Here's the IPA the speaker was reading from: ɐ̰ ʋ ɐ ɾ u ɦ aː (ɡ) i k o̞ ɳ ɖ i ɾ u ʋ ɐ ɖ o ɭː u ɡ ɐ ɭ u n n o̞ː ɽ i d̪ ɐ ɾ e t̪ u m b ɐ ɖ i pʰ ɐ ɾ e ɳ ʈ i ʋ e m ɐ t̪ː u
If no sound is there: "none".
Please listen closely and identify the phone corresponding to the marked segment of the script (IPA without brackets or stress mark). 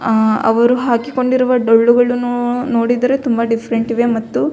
k